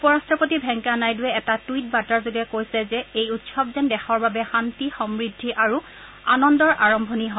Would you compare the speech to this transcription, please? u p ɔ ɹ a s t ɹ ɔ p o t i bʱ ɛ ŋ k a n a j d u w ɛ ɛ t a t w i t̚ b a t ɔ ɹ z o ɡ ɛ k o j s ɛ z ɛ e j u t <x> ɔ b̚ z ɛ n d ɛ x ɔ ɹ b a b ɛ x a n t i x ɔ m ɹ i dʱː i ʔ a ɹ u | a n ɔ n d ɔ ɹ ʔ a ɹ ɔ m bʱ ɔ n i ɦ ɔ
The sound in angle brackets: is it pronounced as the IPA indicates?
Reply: no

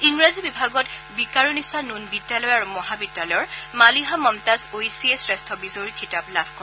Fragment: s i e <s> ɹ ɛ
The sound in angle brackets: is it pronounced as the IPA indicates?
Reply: yes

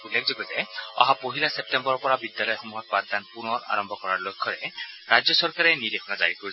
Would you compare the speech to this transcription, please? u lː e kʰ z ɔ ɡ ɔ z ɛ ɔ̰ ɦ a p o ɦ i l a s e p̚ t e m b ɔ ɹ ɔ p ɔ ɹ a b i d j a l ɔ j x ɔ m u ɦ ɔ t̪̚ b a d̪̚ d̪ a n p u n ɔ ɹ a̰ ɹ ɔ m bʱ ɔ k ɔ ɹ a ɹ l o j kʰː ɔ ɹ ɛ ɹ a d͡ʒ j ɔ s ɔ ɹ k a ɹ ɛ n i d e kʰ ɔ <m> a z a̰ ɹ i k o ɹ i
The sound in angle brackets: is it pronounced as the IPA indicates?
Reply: no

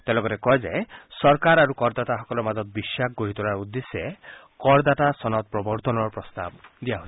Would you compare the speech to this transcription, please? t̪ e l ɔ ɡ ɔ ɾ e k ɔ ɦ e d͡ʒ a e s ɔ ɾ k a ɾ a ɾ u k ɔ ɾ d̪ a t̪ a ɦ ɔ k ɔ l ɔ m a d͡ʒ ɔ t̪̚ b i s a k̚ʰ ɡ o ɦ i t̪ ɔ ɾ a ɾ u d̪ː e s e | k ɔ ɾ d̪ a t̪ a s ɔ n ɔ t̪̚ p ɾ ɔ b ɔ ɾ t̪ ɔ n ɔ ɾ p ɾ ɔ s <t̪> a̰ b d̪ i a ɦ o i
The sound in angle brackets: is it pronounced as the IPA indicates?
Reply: yes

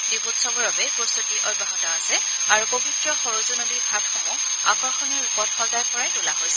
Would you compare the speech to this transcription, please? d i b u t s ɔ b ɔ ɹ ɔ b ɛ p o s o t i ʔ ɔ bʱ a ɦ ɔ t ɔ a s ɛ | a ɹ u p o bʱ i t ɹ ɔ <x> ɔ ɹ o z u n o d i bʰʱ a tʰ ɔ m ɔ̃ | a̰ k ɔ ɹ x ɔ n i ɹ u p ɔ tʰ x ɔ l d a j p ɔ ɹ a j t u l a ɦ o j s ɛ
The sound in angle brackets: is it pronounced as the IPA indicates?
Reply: yes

